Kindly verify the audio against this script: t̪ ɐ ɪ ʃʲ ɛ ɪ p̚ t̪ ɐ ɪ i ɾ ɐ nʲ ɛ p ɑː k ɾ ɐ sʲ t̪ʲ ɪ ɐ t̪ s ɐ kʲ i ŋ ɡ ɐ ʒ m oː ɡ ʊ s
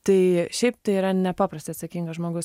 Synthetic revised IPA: t̪ ɐ ɪ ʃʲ ɛ ɪ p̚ t̪ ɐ ɪ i ɾ ɐ nʲ ɛ p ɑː p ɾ ɐ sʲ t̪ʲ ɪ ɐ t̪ s ɐ kʲ i ŋ ɡ ɐ ʒ m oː ɡ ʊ s